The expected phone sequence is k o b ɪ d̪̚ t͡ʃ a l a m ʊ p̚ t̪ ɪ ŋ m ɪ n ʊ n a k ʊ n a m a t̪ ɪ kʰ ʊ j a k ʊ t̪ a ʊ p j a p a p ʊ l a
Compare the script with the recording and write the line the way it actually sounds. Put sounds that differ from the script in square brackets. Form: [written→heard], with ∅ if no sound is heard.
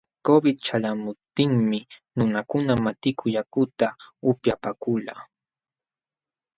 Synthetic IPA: k o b ɪ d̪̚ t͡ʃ a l a m ʊ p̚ t̪ ɪ ŋ m ɪ n ʊ n a k ʊ n a m a t̪ ɪ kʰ ʊ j a k ʊ t̪ a ʊ p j a p a [p→k] ʊ l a

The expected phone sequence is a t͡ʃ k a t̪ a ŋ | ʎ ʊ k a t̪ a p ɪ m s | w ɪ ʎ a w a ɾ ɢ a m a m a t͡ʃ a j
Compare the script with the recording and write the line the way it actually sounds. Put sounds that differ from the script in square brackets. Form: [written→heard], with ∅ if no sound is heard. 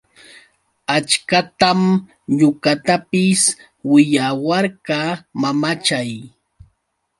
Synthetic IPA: a t͡ʃ k a t̪ a [ŋ→m] | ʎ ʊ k a t̪ a p ɪ [m→∅] s | w ɪ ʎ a w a ɾ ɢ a m a m a t͡ʃ a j

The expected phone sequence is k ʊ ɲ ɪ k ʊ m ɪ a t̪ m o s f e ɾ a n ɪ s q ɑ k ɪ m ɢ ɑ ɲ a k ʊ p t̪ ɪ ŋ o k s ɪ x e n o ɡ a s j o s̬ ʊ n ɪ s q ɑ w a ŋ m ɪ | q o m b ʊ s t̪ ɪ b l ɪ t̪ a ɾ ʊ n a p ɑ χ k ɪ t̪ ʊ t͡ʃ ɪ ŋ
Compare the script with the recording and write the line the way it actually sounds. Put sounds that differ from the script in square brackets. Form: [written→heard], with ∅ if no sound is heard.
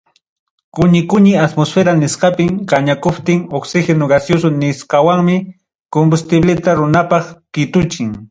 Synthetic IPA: k ʊ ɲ ɪ k ʊ [m→ɲ] ɪ a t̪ m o s f e ɾ a n ɪ s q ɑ [k→p] ɪ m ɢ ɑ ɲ a k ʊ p t̪ ɪ ŋ o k s ɪ x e n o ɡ a s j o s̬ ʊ n ɪ s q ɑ w a ŋ m ɪ | [q→k] o m b ʊ s t̪ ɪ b l ɪ t̪ a ɾ ʊ n a p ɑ χ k ɪ t̪ ʊ t͡ʃ ɪ ŋ

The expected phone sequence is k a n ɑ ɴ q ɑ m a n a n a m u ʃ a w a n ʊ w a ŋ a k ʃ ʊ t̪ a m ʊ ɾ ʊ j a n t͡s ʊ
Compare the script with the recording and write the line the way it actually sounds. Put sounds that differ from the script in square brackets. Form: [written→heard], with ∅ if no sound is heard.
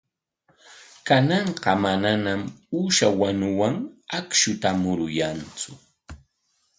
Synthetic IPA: k a n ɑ ɴ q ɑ m a n a n a m u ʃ a w a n ʊ w a ŋ a k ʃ ʊ t̪ a m ʊ ɾ ʊ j a n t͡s ʊ

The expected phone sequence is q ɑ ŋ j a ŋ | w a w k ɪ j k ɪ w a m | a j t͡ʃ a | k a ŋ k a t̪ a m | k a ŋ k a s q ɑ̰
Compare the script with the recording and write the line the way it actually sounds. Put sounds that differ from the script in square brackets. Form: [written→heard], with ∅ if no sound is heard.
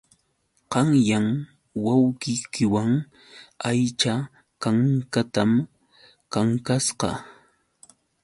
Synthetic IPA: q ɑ ŋ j a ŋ | w a w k ɪ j k ɪ w a [m→ŋ] | a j t͡ʃ a | k a ŋ k a t̪ a m | k a ŋ k a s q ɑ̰

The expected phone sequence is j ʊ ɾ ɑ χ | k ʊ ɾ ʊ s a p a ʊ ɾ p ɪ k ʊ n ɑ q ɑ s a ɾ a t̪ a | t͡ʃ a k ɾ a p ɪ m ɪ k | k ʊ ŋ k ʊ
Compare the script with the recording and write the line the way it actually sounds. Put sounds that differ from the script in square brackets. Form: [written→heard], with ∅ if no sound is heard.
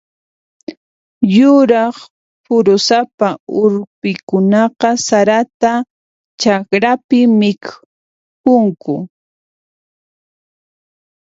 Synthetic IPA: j ʊ ɾ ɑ χ | [k→p] ʊ ɾ ʊ s a p a ʊ ɾ p ɪ k ʊ n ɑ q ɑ s a ɾ a t̪ a | t͡ʃ a k ɾ a p ɪ m ɪ k | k ʊ ŋ k ʊ

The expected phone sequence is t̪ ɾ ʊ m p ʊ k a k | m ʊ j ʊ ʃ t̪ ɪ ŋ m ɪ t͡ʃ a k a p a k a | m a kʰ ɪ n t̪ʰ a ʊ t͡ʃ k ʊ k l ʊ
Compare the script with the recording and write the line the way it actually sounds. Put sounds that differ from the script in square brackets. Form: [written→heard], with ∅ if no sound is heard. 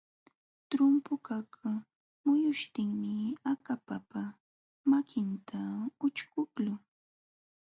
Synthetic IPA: t̪ ɾ ʊ m p ʊ k a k | m ʊ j ʊ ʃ t̪ ɪ ŋ m ɪ [t͡ʃ→∅] a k a p a [k→p] a | m a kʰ ɪ n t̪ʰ a ʊ t͡ʃ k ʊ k l ʊ

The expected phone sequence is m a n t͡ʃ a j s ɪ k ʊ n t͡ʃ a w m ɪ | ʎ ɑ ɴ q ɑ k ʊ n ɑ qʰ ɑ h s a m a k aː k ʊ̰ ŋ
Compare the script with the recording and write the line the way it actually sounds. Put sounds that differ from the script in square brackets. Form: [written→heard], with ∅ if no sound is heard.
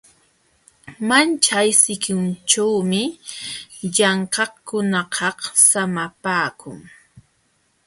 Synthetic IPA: m a n t͡ʃ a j s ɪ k ʊ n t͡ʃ a w m ɪ | ʎ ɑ ɴ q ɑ k ʊ n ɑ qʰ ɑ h s a m a [k→p] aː k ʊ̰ ŋ

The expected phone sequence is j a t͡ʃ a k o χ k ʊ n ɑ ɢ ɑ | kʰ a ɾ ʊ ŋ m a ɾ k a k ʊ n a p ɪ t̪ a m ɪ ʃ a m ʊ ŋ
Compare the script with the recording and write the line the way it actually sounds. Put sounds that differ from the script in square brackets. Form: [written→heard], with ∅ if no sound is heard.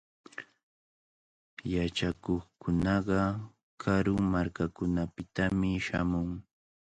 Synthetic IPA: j a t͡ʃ a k o χ k ʊ n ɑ ɢ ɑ | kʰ a ɾ ʊ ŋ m a ɾ k a k ʊ n a p ɪ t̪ a m ɪ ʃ a m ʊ ŋ

